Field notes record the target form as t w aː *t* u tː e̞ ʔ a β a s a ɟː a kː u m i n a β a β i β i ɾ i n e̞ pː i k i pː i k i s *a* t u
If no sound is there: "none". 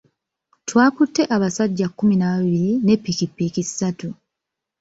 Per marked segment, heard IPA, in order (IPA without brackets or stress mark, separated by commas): k, a